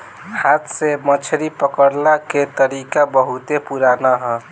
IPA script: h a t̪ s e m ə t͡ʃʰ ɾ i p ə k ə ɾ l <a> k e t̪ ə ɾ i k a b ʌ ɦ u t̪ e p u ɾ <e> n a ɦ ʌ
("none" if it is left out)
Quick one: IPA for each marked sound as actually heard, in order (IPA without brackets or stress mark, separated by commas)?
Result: a, a